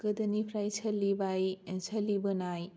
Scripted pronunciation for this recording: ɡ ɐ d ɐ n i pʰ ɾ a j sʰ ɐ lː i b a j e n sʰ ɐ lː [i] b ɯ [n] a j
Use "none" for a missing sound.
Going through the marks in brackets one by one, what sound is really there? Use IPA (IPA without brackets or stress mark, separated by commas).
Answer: i, n